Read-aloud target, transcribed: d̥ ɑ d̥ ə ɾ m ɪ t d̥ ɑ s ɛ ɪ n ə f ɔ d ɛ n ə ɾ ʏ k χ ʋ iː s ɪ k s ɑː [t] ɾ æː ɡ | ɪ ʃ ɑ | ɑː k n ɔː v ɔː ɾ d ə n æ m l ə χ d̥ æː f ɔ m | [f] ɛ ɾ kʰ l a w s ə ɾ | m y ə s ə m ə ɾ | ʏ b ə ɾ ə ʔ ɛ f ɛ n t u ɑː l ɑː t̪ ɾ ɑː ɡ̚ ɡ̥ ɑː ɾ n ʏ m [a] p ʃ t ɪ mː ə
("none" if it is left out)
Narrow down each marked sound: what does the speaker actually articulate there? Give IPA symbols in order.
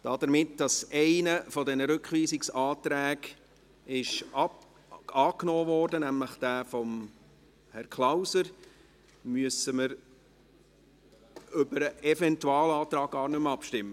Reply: t, h, ɑ

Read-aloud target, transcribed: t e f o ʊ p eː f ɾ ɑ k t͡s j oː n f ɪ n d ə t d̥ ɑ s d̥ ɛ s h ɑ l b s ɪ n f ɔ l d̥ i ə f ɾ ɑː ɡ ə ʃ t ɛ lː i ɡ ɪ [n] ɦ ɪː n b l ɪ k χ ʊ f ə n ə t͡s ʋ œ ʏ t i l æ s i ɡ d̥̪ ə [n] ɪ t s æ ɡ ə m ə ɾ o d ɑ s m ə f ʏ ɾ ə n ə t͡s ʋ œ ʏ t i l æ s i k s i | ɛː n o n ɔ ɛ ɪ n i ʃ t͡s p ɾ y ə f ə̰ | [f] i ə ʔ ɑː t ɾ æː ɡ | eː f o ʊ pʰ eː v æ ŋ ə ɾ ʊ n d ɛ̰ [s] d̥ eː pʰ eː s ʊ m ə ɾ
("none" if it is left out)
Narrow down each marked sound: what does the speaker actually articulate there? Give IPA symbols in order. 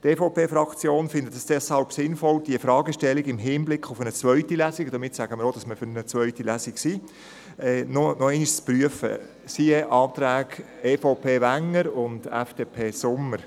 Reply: m, m, s, f

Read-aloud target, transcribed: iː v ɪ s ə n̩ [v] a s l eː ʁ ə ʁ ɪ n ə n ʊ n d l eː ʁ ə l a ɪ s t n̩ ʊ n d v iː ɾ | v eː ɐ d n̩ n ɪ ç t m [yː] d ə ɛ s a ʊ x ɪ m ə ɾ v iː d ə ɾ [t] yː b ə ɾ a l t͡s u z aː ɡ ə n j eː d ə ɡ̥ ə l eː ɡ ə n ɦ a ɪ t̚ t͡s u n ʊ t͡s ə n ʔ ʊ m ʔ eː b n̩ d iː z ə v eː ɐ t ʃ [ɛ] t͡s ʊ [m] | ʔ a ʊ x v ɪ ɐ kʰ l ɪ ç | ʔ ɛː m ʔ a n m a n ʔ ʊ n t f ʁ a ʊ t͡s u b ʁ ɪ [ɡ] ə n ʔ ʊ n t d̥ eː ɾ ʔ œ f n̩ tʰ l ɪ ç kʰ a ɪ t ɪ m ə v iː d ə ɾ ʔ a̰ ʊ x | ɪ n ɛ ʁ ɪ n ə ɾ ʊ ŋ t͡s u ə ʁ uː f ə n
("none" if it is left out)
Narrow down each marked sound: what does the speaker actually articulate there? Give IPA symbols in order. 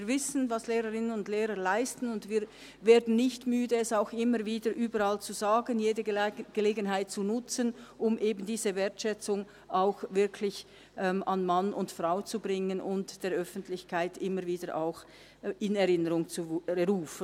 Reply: v, yː, ʔ, ɛ, ŋ, ŋ

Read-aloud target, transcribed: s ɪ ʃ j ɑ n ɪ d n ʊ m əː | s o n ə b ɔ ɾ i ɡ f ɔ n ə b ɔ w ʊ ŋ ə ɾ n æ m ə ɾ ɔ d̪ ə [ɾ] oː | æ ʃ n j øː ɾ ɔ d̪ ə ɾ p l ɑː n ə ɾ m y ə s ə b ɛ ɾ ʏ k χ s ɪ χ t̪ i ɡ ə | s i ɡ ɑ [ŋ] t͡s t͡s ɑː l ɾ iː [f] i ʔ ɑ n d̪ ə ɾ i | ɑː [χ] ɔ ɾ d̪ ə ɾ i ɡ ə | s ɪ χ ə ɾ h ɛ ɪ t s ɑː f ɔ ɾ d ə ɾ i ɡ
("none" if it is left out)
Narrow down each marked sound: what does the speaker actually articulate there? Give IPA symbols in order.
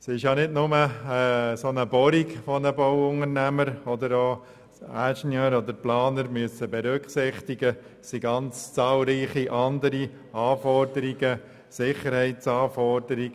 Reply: ɾ, n, χ, f

